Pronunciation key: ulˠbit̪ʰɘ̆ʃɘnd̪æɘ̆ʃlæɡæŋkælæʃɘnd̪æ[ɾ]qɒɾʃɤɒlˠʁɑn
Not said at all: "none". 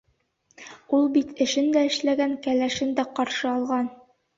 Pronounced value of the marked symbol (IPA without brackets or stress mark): none